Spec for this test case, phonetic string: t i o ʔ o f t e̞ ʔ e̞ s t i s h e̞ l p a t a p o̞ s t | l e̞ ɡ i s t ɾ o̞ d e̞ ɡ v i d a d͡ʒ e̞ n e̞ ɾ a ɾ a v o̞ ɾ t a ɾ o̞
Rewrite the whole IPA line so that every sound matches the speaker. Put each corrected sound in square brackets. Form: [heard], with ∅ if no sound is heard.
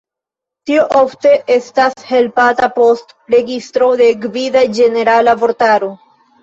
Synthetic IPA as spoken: t i o ʔ o f t e̞ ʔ e̞ s t [a] s h e̞ l p a t a p o̞ s t | [ɾ] e̞ ɡ i s t ɾ o̞ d e̞ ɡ v i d a d͡ʒ e̞ n e̞ ɾ a [l] a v o̞ ɾ t a ɾ o̞